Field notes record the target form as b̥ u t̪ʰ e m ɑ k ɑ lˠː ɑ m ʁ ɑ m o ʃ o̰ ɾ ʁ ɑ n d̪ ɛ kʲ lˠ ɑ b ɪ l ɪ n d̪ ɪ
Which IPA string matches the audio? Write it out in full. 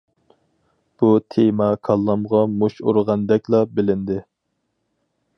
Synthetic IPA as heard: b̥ u t̪ʰ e m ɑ kʰ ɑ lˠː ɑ m ʁ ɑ m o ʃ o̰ ɾ ʁ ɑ n d̪ ɛ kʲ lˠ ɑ b ɪ l ɪ n d̪ ɪ